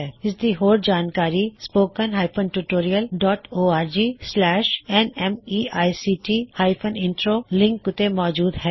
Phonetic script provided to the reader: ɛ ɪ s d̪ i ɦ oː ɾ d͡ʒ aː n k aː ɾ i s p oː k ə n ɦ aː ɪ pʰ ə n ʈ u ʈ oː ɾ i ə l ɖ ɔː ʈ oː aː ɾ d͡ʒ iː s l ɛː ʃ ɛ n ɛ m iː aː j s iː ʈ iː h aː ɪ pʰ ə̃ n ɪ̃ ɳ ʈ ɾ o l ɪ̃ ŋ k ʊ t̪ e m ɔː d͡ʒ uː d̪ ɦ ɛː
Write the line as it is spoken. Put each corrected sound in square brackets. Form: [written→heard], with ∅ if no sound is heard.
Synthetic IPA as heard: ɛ ɪ s d̪ i ɦ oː ɾ d͡ʒ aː n k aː ɾ i s p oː k ə n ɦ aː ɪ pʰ ə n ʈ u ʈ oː ɾ i ə l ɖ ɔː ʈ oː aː ɾ d͡ʒ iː s l ɛː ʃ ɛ n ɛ m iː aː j s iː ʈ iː h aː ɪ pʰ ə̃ n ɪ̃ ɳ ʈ ɾ o l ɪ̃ ŋ k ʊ t̪ e m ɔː d͡ʒ uː d̪ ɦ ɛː